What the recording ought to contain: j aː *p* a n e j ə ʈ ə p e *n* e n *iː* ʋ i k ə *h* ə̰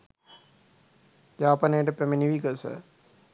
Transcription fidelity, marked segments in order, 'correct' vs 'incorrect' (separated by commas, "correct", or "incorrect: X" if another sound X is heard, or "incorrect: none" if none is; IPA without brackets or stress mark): correct, incorrect: m, incorrect: i, incorrect: s